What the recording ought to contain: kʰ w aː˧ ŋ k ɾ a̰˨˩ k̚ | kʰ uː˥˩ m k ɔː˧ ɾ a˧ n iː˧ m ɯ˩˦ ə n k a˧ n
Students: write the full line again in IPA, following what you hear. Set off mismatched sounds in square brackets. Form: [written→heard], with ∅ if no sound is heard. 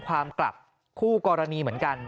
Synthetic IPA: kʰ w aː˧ [ŋ→m] k [ɾ→l] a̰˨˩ [k̚→p̚] | kʰ uː˥˩ [m→∅] k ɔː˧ ɾ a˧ n iː˧ m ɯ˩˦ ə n k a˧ n

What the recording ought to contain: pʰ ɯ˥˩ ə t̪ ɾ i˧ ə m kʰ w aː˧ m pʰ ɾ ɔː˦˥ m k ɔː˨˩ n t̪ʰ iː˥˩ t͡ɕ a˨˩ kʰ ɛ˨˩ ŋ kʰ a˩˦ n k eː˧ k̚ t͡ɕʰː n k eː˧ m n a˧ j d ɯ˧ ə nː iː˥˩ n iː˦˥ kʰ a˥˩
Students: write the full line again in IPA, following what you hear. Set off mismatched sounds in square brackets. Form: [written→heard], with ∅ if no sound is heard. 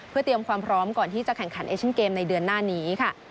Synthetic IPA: pʰ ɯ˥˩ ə t̪ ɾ i˧ ə m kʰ w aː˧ m pʰ ɾ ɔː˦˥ m k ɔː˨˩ n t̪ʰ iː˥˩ t͡ɕ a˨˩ kʰ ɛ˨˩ ŋ kʰ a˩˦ n [k→ʔ] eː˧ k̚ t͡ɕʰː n k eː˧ m n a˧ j d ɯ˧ ə nː [iː˥˩→aː˥˩] n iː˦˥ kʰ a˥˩

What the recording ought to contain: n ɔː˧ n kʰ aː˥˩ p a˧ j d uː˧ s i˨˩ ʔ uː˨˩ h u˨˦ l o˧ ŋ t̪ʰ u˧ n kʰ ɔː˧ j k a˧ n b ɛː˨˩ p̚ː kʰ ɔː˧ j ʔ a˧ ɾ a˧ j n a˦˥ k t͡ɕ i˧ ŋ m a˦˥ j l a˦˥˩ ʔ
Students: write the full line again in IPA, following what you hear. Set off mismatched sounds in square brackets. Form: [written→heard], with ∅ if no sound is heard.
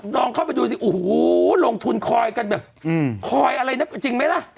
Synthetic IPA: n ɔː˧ [n→ŋ] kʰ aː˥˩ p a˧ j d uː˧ s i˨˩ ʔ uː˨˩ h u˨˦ l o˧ ŋ t̪ʰ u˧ n kʰ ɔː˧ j k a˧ n b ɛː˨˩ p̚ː kʰ ɔː˧ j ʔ a˧ ɾ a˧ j n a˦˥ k t͡ɕ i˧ ŋ m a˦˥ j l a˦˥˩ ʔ

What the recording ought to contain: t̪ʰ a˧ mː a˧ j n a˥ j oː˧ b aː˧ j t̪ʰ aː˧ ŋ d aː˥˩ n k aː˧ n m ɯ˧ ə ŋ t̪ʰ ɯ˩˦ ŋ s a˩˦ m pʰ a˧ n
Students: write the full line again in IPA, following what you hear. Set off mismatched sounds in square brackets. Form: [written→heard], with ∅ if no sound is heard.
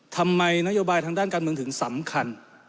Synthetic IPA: t̪ʰ a˧ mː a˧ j n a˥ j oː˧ b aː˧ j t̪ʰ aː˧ ŋ d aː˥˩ n k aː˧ n m ɯ˧ ə ŋ t̪ʰ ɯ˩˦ ŋ s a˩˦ m [pʰ→kʰ] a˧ n

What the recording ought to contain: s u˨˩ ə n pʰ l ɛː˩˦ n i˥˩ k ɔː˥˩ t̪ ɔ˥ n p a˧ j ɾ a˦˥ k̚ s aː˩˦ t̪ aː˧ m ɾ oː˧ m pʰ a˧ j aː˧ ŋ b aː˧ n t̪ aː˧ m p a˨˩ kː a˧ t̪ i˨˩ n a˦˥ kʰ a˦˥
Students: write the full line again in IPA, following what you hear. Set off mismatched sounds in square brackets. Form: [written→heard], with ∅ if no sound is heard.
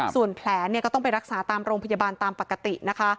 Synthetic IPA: s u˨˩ ə n pʰ l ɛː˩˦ n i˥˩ k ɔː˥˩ t̪ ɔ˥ [n→ŋ] p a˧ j ɾ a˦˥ k̚ s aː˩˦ t̪ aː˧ m ɾ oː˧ [m→ŋ] pʰ a˧ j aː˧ [ŋ→∅] b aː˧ n t̪ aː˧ m p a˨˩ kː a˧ t̪ i˨˩ n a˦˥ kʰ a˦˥

